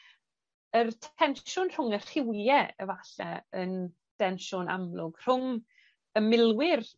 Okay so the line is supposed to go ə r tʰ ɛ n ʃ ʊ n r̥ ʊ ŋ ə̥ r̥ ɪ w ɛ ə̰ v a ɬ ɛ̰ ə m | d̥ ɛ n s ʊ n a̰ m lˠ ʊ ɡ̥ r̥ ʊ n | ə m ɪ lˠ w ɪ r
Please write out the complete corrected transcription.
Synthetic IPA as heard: ə r tʰ ɛ n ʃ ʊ n r̥ ʊ ŋ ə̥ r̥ ɪ w ɛ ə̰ v a ɬ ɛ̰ ə n | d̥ ɛ n ʃ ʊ n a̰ m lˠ ʊ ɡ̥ r̥ ʊ ŋ | ə m ɪ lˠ w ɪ r